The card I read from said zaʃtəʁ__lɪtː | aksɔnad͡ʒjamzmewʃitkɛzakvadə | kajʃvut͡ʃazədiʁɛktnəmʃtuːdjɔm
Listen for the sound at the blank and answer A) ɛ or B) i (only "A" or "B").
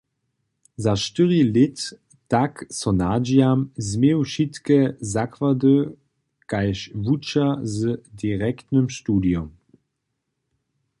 B